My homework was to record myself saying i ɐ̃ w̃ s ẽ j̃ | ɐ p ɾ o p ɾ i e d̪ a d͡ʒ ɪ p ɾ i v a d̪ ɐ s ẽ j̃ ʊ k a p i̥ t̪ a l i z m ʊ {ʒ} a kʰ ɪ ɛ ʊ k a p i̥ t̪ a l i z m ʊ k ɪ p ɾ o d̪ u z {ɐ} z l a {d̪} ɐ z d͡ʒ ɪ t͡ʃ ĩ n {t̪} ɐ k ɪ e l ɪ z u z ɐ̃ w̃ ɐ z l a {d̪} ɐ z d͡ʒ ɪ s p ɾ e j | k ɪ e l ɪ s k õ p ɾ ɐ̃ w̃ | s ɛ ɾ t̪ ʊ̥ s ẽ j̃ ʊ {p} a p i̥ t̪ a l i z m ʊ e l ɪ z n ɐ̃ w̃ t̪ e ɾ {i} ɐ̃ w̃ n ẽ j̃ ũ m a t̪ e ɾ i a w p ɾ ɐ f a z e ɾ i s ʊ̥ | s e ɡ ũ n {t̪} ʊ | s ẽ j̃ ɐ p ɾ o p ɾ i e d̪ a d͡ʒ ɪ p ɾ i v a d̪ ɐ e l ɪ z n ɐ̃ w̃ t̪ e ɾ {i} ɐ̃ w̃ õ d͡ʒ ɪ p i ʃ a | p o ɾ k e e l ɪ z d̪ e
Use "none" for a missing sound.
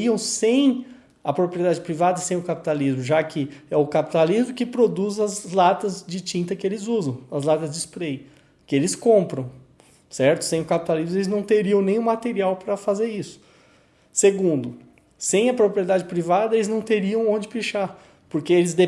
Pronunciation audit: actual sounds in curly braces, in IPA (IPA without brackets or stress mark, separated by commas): ʒ, ɐ, t̪, t̪, t̪, k, i, d̪, i